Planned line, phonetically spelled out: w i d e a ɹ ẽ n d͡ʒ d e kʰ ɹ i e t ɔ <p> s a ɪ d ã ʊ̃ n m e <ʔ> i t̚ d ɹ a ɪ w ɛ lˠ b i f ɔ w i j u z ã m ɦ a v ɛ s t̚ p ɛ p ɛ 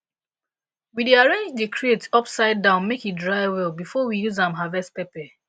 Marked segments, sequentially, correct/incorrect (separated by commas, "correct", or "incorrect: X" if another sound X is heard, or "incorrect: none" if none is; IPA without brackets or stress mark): correct, incorrect: k